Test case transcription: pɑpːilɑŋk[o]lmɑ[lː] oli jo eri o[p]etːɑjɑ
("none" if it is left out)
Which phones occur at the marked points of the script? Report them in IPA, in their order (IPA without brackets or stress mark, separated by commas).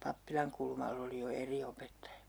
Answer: u, lː, p